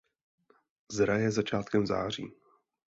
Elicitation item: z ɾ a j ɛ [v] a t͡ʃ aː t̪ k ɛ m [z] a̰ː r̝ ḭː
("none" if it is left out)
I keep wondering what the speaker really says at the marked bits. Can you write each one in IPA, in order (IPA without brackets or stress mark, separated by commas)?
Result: z, z